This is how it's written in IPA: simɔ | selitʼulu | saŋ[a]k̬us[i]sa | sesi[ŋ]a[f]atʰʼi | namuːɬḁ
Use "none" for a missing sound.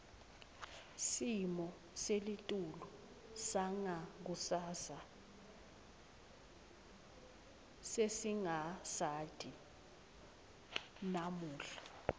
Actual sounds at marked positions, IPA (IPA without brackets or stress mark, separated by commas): a, a, ŋ, s